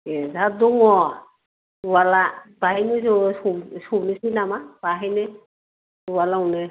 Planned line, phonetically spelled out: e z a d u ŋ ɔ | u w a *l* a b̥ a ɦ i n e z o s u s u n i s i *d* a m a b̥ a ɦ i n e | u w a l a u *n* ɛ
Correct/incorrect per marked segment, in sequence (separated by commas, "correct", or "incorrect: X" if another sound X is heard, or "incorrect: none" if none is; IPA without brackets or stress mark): correct, incorrect: n, correct